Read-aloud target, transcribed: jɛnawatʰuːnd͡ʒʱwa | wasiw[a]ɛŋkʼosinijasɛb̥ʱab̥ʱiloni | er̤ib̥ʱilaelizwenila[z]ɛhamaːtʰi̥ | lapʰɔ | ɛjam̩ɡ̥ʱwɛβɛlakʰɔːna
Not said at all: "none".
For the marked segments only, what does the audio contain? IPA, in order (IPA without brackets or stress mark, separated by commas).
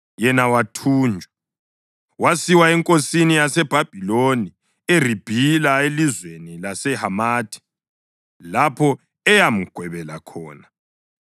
a, s